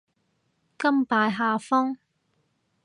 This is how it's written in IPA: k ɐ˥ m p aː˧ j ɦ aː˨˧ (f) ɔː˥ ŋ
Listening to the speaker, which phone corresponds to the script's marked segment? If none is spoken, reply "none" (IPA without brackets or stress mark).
f